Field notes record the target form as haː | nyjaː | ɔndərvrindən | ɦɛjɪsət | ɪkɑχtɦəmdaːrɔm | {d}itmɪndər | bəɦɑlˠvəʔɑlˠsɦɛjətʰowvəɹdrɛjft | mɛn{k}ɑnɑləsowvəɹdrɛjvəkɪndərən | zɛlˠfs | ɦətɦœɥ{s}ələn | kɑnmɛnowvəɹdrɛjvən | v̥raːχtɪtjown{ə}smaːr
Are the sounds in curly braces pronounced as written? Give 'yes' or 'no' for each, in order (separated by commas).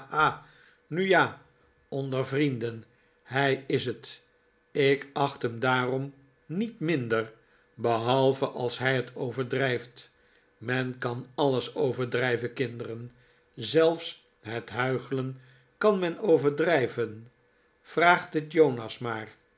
no, yes, no, no